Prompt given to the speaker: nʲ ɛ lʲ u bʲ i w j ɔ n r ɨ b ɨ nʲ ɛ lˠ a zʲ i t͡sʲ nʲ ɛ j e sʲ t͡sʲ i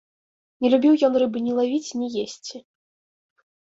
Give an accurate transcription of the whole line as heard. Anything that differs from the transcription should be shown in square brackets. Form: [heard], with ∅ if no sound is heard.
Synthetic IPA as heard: nʲ ɛ lʲ u bʲ i w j ɔ n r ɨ b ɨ nʲ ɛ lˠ a [vʲ] i t͡sʲ nʲ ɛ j e sʲ t͡sʲ i

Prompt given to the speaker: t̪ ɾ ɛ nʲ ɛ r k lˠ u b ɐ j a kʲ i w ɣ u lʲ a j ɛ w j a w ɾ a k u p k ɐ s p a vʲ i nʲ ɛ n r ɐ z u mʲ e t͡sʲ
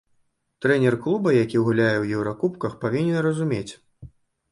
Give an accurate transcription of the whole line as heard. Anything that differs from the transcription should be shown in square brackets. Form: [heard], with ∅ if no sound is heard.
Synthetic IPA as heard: t̪ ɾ ɛ nʲ ɛ r k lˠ u b ɐ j a kʲ i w ɣ u lʲ a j ɛ w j [ɛ] w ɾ a k u p k ɐ [x] p a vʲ i nʲ ɛ n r ɐ z u mʲ e t͡sʲ

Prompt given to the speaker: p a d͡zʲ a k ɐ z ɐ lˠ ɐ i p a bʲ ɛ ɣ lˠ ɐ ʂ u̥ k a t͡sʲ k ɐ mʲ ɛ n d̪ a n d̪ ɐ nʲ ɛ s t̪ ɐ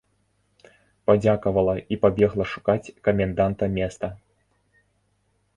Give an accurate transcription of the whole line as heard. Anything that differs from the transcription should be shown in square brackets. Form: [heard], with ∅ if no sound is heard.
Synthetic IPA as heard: p a d͡zʲ a k ɐ [v] ɐ lˠ ɐ i p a bʲ ɛ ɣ lˠ ɐ ʂ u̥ k a t͡sʲ k ɐ mʲ ɛ n d̪ a n [t̪] ɐ [mʲ] ɛ s t̪ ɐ

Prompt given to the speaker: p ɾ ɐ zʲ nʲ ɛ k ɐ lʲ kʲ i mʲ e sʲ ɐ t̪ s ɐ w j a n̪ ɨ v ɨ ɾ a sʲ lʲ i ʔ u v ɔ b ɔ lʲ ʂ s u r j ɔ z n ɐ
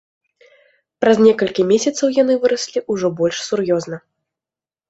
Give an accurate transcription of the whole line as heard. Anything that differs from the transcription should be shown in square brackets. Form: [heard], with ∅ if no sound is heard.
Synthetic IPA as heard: p ɾ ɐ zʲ nʲ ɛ k ɐ lʲ kʲ i mʲ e sʲ ɐ t̪ s ɐ w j a n̪ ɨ v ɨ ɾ [ɐ] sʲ lʲ i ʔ u [ʐ] ɔ b ɔ lʲ ʂ s u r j ɔ z n ɐ

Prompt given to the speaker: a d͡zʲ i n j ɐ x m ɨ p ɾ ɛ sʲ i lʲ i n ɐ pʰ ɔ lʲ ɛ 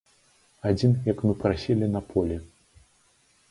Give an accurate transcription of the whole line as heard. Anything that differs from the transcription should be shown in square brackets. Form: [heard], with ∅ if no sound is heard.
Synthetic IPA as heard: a d͡zʲ i n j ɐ [k] m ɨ p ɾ [a] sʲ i lʲ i n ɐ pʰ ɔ lʲ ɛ

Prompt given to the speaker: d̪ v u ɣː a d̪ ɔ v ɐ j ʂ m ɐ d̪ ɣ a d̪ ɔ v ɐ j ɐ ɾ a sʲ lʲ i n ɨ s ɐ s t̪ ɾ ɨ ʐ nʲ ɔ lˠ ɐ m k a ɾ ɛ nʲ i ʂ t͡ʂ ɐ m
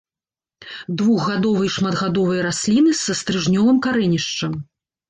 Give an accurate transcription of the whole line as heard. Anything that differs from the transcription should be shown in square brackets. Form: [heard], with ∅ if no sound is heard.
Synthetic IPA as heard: d̪ v u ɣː a d̪ ɔ v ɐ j ʂ m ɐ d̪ ɣ a d̪ ɔ v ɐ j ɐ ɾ a sʲ lʲ i n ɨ s ɐ s t̪ ɾ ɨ ʐ nʲ ɔ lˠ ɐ m k a ɾ ɛ nʲ i ʂ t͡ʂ ɐ m

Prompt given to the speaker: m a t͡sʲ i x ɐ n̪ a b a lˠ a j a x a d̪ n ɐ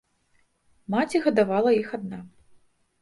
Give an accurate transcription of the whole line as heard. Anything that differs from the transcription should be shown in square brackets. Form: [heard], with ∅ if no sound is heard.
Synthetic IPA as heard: m a t͡sʲ i [ɣ] ɐ [d̪] a [v] a lˠ [ɐ] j [i] x a d̪ n [a]

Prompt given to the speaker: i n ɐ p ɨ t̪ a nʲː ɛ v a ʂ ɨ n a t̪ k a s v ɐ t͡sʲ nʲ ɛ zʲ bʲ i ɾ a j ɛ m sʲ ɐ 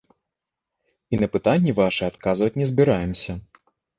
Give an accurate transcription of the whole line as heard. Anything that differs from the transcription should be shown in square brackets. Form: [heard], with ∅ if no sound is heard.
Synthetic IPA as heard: i n ɐ p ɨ t̪ a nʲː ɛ v a ʂ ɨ [∅] a t̪ k a [z] v ɐ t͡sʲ nʲ ɛ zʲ bʲ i ɾ a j ɛ m sʲ ɐ

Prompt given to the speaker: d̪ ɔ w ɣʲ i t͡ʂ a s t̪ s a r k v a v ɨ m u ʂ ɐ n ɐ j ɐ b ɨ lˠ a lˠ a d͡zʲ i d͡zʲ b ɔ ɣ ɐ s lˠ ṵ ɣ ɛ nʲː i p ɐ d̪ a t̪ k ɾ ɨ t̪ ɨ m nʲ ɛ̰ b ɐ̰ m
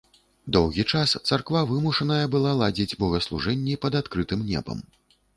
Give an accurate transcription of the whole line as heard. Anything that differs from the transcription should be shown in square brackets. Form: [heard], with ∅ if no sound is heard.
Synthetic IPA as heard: d̪ ɔ w ɣʲ i t͡ʂ a s t̪ s a r k v a v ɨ m u ʂ ɐ n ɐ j ɐ b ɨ lˠ a lˠ a d͡zʲ i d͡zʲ b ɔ ɣ ɐ s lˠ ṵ [ʐ] ɛ nʲː i p ɐ d̪ a t̪ k ɾ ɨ t̪ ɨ m nʲ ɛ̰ b ɐ̰ m

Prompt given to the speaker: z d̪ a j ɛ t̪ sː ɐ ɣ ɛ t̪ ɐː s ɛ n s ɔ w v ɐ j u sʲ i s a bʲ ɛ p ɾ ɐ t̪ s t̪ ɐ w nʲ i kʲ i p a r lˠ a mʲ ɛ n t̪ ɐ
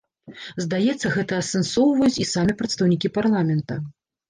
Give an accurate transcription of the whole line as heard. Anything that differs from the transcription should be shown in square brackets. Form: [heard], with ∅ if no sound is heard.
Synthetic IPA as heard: z d̪ a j ɛ t̪ sː ɐ ɣ ɛ t̪ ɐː s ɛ n s ɔ w v ɐ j u [t͡sʲ] i s a [mʲ] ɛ p ɾ ɐ t̪ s t̪ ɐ w nʲ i kʲ i p a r lˠ a mʲ ɛ n t̪ ɐ

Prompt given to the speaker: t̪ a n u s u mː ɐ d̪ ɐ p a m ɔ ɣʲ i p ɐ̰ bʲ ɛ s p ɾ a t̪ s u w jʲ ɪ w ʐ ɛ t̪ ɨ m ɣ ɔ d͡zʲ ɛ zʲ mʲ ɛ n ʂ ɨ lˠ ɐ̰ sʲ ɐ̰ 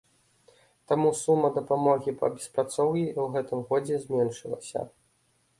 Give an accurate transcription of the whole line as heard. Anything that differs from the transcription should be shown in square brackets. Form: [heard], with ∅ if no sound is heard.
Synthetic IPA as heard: t̪ a [m] u s u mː ɐ d̪ ɐ p a m ɔ ɣʲ i p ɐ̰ bʲ ɛ s p ɾ a t̪ s [ɔ] w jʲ [i] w [ɣ] ɛ t̪ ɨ m ɣ ɔ d͡zʲ ɛ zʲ mʲ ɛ n ʂ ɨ lˠ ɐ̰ sʲ ɐ̰

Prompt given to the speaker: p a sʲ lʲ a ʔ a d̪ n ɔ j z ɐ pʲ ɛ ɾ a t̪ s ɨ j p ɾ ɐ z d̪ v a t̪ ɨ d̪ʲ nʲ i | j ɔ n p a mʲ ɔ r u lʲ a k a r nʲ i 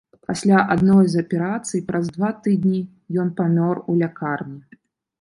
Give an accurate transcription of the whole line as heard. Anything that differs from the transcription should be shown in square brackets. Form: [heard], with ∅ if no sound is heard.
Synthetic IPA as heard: p a sʲ lʲ a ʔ a d̪ n ɔ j z ɐ pʲ ɛ ɾ a t̪ s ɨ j p ɾ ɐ z d̪ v a t̪ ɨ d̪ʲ nʲ i | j ɔ n p a mʲ ɔ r u lʲ a k a r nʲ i

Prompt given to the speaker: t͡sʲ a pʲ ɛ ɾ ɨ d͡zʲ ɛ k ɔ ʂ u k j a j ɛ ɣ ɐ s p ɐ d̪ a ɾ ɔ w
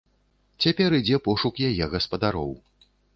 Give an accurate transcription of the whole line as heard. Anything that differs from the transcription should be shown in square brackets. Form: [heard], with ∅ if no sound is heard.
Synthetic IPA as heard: t͡sʲ a pʲ ɛ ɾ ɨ d͡zʲ ɛ [p] ɔ ʂ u k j a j ɛ ɣ ɐ s p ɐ d̪ a ɾ ɔ w

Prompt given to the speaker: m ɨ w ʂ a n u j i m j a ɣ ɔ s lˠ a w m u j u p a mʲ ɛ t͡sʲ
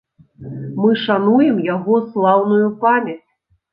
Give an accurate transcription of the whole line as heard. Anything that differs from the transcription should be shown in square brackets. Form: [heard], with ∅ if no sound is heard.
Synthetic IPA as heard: m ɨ [∅] ʂ a n u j [ɛ] m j a ɣ ɔ s lˠ a w [n] u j u p a mʲ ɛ t͡sʲ

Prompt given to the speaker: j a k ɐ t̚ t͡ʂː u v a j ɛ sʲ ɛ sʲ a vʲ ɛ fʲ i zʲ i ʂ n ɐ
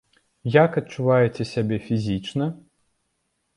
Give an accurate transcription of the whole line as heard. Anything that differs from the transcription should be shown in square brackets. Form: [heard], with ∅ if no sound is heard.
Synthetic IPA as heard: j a k ɐ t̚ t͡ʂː u v a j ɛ [t͡sʲ] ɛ sʲ a [bʲ] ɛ fʲ i zʲ i [t͡ʂ] n ɐ

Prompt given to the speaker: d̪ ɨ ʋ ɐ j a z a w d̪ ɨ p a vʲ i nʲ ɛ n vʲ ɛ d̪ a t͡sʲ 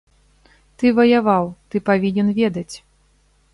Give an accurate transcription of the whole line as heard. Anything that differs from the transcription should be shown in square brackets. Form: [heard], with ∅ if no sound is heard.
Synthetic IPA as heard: [t̪] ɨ [v] ɐ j a [v] a w [t̪] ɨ p a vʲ i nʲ ɛ n vʲ ɛ d̪ [ɐ] t͡sʲ

